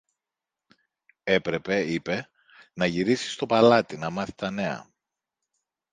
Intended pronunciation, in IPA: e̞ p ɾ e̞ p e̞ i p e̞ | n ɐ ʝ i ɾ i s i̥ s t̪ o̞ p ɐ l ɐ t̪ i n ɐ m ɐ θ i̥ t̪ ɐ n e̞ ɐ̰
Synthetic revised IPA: e̞ p ɾ e̞ p e̞ i p e̞ | n ɐ ʝ i ɾ i s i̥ s t̪ o̞ p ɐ l ɐ t̪ i n ɐ m ɐ θ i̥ t̪ ɐ n e̞ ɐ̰